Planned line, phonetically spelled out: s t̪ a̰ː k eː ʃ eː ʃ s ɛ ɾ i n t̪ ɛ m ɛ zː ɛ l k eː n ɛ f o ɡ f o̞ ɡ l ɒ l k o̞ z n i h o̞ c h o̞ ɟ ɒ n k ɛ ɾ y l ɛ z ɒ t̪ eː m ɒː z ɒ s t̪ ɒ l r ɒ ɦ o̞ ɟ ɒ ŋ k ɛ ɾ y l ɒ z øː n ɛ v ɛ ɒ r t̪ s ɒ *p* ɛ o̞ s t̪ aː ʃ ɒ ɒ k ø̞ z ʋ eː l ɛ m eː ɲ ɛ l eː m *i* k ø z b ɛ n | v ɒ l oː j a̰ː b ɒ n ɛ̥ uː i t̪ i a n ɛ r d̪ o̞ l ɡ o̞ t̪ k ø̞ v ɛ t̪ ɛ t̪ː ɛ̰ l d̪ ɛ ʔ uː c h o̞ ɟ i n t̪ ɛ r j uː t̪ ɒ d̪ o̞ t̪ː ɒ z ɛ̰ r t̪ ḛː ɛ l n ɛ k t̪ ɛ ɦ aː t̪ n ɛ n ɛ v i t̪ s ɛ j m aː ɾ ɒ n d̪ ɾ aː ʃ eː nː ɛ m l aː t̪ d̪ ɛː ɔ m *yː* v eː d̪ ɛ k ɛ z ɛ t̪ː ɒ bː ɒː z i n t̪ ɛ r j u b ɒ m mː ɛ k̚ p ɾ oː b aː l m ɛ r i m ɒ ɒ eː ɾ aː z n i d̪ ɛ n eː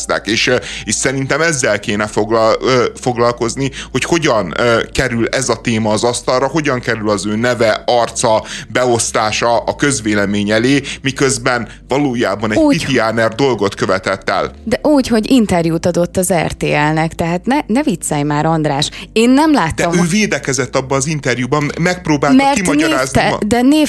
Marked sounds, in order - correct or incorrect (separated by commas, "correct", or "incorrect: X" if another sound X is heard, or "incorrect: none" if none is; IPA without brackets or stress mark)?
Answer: incorrect: b, correct, incorrect: øː